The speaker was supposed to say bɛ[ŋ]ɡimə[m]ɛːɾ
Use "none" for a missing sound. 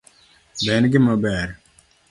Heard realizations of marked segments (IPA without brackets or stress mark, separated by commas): n, b